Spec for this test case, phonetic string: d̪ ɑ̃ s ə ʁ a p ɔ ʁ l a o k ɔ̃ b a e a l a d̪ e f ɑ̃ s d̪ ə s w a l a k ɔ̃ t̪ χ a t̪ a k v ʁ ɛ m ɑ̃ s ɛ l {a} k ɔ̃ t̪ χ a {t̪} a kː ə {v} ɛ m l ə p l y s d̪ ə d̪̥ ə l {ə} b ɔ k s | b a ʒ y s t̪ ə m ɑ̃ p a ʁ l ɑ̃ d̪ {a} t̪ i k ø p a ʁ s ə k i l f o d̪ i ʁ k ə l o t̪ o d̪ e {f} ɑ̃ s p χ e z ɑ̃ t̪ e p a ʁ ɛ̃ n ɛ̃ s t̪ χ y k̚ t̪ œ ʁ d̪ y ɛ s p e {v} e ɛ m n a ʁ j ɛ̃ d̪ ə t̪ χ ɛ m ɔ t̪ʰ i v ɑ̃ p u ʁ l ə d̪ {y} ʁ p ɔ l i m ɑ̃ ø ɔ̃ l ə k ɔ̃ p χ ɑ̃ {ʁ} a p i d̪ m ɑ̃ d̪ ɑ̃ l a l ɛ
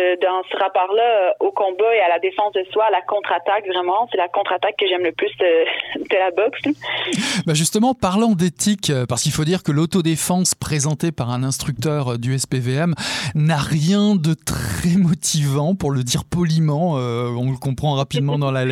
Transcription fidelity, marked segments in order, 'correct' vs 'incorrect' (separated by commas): correct, correct, incorrect, incorrect, incorrect, correct, correct, incorrect, correct